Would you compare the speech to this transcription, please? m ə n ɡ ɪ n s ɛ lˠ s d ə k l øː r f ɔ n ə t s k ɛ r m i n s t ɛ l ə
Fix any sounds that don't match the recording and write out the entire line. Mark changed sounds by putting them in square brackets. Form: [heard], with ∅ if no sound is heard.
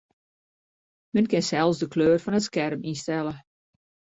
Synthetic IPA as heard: m ə n [k] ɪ n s ɛ lˠ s d ə k l øː r f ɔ n ə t s k ɛ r m i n s t ɛ l ə

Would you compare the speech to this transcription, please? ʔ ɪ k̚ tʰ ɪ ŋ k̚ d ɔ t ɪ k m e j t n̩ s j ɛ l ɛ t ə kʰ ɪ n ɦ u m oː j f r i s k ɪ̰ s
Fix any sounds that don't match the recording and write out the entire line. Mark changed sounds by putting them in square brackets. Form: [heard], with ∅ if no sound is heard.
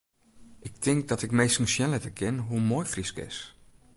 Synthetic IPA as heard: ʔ ɪ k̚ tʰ ɪ ŋ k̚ d ɔ t ɪ k m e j [s] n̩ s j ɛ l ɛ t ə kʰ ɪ n ɦ u m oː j f r i s k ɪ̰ s

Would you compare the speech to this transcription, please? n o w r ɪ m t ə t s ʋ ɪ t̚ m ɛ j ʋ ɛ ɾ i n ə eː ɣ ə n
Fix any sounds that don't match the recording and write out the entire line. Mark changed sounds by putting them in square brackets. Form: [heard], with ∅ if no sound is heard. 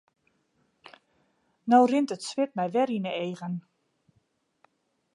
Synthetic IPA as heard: n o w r ɪ [n] t ə t s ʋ ɪ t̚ m ɛ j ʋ ɛ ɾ i n ə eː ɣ ə n

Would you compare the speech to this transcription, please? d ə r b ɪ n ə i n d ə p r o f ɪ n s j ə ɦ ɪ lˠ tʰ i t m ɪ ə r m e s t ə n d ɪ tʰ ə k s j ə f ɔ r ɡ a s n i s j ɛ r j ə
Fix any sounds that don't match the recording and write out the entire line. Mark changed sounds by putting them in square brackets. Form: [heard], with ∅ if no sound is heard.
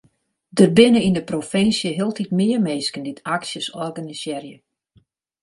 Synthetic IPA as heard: d ə r b ɪ n ə i n d ə p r o f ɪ n s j ə ɦ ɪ lˠ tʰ i t m ɪ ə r m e s [k] ə n d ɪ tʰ [a] k s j ə [s] ɔ r ɡ a [∅] n i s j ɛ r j ə

